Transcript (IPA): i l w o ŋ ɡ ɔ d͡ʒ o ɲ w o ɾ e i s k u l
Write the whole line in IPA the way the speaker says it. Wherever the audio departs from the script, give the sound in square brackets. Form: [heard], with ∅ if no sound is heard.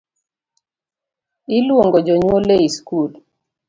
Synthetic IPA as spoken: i l w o ŋ ɡ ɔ d͡ʒ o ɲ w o [l] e i s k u l

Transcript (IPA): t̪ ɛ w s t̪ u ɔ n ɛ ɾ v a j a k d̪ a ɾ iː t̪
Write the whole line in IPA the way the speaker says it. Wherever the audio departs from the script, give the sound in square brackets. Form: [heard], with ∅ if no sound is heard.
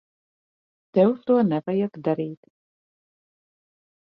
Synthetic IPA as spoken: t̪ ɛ w s t̪ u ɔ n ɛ [∅] v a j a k d̪ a ɾ iː t̪

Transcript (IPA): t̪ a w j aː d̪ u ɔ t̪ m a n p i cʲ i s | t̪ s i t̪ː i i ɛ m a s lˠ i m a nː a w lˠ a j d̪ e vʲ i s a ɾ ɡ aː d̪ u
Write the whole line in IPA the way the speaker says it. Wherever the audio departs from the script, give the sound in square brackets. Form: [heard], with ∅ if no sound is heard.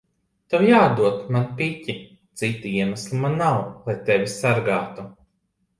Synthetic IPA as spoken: t̪ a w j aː d̪ u ɔ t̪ m a n p i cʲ i [∅] | t̪ s i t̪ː i i ɛ m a s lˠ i m a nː a w lˠ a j [t̪] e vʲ i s a ɾ ɡ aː [t̪] u

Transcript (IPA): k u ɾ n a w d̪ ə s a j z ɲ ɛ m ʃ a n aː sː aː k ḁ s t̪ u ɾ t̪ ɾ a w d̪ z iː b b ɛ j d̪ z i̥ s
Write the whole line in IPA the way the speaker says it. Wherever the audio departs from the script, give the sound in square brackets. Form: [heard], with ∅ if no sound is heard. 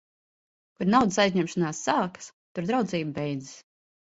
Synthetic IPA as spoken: k u ɾ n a w d̪ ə s a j z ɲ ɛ m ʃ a n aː sː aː k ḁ s t̪ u ɾ [d̪] ɾ a w d̪ z iː b b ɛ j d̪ z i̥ s

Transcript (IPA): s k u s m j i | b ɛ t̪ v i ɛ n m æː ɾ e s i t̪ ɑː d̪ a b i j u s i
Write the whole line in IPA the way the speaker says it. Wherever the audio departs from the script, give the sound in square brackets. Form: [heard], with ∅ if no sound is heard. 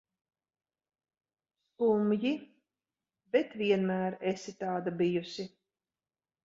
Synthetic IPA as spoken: s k u [∅] m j i | b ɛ t̪ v i ɛ n m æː ɾ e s i t̪ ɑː d̪ a b i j u s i

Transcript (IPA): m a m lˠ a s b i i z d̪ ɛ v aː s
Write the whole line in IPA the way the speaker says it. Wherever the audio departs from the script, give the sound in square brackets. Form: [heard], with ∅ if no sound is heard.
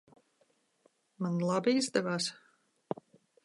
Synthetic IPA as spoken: m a [n] lˠ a [∅] b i i z d̪ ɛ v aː s

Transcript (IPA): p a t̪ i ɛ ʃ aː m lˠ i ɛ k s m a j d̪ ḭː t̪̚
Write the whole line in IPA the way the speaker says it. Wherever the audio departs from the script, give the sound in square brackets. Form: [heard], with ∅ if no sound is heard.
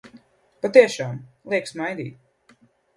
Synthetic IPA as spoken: p a t̪ i ɛ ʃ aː m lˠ i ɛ k s m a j d̪ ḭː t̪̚

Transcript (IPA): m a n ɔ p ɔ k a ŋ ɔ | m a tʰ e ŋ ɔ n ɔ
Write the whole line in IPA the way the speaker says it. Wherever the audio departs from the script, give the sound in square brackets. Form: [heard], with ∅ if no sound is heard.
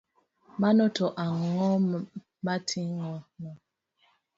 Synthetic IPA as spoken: m a n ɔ [t] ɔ [ʔ] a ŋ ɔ | m a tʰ [i] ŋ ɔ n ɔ

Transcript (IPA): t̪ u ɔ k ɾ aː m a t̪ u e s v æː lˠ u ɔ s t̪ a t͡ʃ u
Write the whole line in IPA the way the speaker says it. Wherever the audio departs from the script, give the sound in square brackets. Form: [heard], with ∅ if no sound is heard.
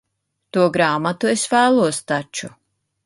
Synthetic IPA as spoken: t̪ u ɔ [ɡ] ɾ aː m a t̪ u e s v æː lˠ u ɔ s t̪ a t͡ʃ u

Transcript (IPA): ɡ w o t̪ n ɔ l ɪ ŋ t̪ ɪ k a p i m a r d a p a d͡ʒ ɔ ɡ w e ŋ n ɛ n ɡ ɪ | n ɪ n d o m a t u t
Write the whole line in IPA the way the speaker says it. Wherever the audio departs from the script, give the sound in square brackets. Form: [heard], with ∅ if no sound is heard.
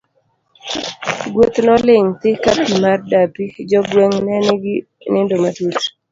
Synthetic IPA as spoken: ɡ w o t̪ n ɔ l ɪ ŋ t̪ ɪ k a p i m a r d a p [i] d͡ʒ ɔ ɡ w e ŋ n ɛ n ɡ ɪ | n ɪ n d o m a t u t

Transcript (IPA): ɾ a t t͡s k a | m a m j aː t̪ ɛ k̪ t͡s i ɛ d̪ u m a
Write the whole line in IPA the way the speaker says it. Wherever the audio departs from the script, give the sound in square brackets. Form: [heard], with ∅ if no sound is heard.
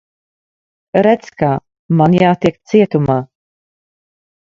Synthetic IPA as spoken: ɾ [ɛ] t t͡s k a | m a [n] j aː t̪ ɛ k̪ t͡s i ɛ [t̪] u m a

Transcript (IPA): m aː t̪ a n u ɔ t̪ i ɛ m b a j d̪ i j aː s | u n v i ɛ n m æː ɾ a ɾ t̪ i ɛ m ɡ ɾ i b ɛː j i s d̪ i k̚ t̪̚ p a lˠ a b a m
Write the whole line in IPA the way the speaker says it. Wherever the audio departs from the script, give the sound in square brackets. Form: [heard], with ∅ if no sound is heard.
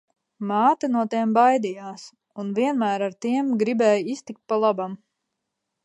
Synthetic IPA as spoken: m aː t̪ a n u ɔ t̪ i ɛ m b a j d̪ i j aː s | u n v i ɛ n m æː ɾ a ɾ t̪ i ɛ m ɡ ɾ i b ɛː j i s [t̪] i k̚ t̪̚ p a lˠ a b a m

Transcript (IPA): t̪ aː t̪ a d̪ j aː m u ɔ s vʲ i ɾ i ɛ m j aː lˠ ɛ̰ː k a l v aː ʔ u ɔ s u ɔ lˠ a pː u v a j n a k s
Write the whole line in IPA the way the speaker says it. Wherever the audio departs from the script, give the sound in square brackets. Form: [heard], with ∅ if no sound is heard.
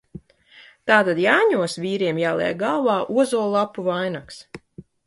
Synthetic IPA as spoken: t̪ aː t̪ a d̪ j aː [ɲ] u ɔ s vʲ [iː] ɾ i ɛ m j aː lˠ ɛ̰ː [ɡ] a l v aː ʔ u ɔ [z] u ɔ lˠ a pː u v a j n a k s

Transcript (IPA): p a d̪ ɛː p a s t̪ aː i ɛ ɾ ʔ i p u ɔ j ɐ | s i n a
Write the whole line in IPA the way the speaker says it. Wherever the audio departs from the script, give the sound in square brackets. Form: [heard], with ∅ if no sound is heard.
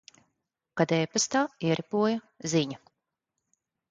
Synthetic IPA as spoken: [k] a d̪ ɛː p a s t̪ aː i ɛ ɾ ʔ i p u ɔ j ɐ | [z] i [ɲ] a

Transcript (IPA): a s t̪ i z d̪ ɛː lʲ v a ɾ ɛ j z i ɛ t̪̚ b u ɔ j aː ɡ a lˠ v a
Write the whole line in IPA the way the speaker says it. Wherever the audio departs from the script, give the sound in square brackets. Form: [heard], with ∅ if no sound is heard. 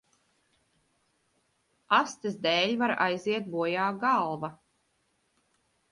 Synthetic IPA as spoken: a s t̪ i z d̪ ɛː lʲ v a ɾ [a] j z i ɛ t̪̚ b u ɔ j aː ɡ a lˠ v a

